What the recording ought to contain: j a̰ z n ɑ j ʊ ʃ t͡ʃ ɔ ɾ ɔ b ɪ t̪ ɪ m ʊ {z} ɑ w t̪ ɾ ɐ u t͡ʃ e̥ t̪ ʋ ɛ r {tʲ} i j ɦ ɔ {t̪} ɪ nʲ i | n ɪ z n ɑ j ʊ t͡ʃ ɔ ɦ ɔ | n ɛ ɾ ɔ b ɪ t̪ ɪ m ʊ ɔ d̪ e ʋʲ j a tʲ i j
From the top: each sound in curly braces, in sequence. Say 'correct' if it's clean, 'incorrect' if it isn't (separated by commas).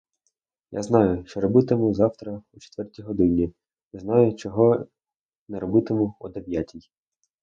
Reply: correct, correct, incorrect